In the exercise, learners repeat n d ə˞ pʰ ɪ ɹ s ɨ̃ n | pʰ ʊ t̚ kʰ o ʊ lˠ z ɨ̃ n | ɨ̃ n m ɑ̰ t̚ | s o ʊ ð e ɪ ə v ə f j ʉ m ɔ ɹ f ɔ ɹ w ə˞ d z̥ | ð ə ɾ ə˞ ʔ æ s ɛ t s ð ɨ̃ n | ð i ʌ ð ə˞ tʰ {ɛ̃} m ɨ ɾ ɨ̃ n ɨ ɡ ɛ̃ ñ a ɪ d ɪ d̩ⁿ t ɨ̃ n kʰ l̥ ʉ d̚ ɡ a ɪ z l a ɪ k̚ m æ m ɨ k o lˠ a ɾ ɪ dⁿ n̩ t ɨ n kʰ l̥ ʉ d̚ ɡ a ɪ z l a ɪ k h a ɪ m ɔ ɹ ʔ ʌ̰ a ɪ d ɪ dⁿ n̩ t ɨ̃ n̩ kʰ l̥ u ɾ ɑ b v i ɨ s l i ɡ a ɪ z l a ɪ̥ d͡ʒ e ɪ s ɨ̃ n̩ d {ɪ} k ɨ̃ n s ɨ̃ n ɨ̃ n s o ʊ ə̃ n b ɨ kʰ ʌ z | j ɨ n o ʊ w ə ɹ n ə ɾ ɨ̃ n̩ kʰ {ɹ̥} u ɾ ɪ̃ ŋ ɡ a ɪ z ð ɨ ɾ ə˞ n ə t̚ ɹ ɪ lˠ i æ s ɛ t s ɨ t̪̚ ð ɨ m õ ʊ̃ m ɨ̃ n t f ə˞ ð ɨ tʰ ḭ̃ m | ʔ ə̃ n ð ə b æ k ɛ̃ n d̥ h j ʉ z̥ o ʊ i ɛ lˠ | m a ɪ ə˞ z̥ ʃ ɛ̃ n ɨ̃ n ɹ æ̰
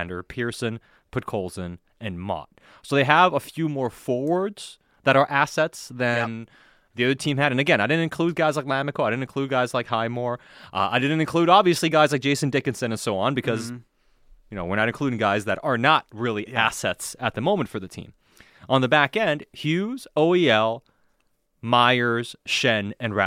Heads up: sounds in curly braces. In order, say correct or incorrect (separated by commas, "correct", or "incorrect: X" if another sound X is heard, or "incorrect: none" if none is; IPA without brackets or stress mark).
incorrect: ĩ, correct, incorrect: l̥